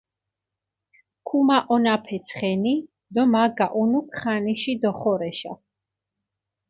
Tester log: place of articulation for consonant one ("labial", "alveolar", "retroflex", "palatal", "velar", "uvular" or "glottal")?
velar